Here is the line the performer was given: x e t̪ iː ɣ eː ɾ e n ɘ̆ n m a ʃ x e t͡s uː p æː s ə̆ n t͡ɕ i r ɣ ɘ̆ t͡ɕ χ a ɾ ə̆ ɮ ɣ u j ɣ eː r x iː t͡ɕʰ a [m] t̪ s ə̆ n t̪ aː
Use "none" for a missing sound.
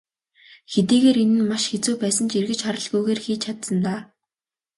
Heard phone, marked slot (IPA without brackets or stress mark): none